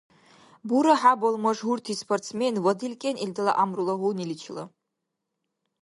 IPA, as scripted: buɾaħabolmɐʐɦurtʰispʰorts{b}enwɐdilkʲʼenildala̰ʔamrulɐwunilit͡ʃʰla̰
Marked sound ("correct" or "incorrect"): incorrect